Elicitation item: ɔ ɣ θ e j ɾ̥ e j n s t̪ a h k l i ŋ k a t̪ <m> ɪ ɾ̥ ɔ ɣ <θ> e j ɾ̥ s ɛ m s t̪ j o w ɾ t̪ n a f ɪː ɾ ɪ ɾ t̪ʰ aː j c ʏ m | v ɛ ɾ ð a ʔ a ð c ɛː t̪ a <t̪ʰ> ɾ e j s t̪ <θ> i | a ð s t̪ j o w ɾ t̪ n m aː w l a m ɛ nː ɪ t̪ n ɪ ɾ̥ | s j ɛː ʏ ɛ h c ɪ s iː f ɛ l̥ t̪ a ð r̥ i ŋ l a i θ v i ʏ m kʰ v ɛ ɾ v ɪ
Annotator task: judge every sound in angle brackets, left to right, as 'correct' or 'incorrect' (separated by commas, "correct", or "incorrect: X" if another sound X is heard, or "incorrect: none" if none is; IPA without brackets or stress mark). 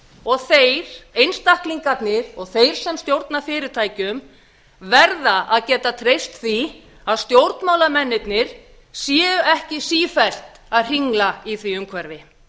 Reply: incorrect: n, correct, correct, correct